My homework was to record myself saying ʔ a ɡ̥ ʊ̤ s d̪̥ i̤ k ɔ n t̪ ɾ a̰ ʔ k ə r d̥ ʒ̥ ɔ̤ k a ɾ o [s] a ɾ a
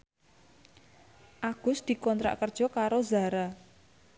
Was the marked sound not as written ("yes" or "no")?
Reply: yes